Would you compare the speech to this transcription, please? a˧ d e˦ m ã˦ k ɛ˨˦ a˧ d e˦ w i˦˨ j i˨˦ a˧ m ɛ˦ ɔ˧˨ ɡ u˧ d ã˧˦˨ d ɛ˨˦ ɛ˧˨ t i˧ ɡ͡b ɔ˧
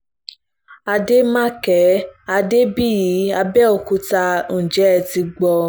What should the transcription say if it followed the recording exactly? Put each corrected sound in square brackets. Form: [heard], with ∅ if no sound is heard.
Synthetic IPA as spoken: a˧ d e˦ m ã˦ k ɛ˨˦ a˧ d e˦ [b] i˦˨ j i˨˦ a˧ [b] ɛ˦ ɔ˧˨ [k] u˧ [t] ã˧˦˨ [d͡ʒ] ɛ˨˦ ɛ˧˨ t i˧ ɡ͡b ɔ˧